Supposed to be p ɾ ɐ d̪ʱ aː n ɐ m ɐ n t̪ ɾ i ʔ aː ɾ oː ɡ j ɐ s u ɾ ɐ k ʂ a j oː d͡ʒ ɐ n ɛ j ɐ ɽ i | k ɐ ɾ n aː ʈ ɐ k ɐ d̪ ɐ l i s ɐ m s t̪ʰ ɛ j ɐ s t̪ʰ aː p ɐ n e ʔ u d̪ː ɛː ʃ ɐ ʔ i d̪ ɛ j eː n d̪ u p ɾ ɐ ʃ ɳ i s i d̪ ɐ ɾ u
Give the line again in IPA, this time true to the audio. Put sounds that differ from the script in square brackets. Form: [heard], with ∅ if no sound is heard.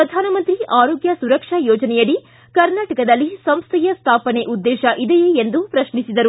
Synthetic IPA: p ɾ ɐ d̪ʱ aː n ɐ m ɐ n t̪ ɾ i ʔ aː ɾ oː ɡ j ɐ s u ɾ ɐ k ʂ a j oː d͡ʒ ɐ n ɛ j ɐ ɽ i | k ɐ ɾ n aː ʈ ɐ k ɐ d̪ ɐ [lː] i s ɐ m s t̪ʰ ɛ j ɐ s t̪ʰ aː p ɐ n e ʔ u d̪ː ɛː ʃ ɐ ʔ i d̪ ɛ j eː n d̪ u p ɾ ɐ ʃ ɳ i s i d̪ ɐ ɾ u

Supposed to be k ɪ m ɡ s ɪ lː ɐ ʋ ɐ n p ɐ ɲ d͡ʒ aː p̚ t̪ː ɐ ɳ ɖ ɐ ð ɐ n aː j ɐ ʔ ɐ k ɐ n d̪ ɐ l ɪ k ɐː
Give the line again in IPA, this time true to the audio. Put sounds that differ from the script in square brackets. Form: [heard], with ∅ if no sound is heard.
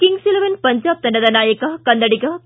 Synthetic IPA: k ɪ [ŋ] ɡ s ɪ [l] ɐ ʋ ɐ n p ɐ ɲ d͡ʒ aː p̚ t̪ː ɐ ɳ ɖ ɐ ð ɐ n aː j ɐ [k] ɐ k ɐ n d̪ ɐ [ɽ] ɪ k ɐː

